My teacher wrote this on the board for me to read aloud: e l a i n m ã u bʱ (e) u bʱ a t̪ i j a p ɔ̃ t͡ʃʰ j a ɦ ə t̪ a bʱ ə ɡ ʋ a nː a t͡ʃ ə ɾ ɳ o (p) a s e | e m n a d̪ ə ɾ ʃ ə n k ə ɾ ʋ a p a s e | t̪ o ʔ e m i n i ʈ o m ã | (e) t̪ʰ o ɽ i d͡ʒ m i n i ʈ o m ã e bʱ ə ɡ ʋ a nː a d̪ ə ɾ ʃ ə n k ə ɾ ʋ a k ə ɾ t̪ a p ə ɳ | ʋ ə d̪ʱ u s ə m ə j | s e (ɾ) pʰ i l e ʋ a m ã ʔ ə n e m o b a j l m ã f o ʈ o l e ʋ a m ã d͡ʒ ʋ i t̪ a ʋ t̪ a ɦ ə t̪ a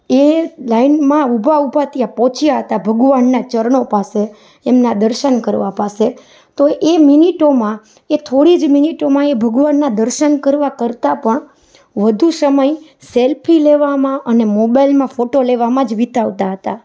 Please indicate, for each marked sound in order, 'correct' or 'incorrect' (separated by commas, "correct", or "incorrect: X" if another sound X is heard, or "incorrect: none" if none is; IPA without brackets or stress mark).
incorrect: a, correct, correct, incorrect: l